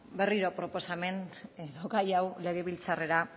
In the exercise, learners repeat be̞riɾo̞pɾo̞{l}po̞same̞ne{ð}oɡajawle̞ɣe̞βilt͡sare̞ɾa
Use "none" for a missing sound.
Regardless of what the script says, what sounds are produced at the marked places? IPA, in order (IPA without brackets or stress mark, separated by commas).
none, ð